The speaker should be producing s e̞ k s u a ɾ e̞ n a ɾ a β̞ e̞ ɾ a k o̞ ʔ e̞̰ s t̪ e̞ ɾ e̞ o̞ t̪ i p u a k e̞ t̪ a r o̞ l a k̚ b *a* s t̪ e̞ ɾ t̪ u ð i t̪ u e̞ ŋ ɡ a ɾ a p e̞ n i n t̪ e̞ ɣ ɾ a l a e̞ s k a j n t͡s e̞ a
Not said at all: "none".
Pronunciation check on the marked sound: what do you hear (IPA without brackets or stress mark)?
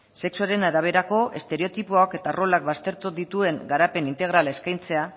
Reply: a